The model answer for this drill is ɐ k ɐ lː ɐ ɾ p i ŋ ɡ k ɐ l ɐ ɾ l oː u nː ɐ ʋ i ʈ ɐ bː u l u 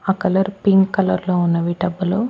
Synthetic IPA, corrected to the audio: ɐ k ɐ l ɐ ɾ p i ŋ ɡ k ɐ l ɐ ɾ l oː u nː ɐ ʋ i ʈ ɐ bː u l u

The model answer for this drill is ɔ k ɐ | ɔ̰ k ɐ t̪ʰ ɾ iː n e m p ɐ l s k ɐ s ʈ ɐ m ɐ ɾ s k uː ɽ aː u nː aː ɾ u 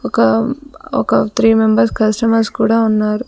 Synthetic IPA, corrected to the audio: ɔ k ɐ | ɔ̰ k ɐ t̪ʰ ɾ iː m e m b ɐ ɾ s k ɐ s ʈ ɐ m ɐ ɾ s k uː ɽ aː u nː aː ɾ u

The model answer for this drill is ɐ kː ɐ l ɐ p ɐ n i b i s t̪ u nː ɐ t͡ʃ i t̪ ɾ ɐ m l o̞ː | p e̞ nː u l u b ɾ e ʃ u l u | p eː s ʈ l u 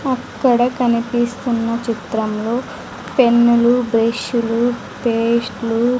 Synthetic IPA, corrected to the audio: ɐ kː ɐ ɽ ɐ k ɐ n i p i s t̪ u nː ɐ t͡ʃ i t̪ ɾ ɐ m l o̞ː | p e̞ nː u l u b ɾ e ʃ u l u | p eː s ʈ l u

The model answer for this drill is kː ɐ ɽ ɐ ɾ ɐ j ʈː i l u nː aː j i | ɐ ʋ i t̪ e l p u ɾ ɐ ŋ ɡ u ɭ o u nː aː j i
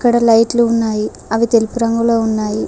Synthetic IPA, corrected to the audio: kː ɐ ɽ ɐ l ɐ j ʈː i l u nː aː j i | ɐ ʋ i t̪ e l p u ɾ ɐ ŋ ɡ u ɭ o u nː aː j i

